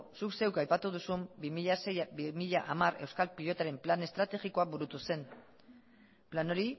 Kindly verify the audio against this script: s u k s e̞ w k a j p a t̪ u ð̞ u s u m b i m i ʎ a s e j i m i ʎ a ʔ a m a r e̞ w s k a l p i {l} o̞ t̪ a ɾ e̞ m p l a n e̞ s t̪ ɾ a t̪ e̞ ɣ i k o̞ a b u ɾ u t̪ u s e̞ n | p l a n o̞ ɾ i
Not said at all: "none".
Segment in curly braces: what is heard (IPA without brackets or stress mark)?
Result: ʎ